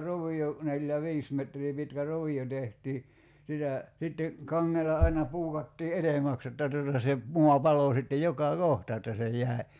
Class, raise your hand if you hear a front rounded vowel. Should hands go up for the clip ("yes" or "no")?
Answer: no